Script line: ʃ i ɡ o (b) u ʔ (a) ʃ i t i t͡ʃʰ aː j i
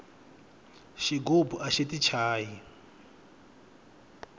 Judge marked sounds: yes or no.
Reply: yes, yes

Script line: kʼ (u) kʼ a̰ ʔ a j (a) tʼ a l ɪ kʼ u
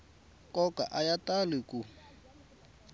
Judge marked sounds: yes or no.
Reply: no, yes

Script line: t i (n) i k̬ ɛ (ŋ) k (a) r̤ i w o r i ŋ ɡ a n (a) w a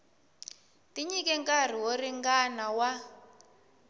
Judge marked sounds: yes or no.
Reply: no, yes, yes, yes

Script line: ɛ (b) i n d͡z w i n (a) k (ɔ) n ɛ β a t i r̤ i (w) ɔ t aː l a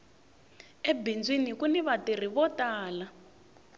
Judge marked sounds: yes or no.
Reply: yes, no, no, no

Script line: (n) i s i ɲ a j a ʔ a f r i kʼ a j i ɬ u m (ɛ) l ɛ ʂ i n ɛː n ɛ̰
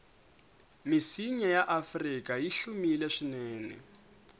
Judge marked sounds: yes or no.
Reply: no, no

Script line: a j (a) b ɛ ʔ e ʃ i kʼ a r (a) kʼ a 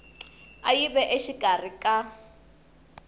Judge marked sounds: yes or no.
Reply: no, no

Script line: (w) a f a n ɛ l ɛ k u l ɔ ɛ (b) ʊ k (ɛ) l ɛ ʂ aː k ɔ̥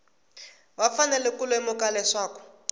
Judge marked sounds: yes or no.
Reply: yes, no, no

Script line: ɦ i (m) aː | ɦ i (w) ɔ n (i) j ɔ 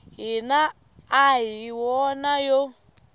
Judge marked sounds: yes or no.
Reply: no, yes, no

